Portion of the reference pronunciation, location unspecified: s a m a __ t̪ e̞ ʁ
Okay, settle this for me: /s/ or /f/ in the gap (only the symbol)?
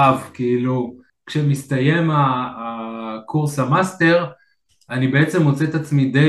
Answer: s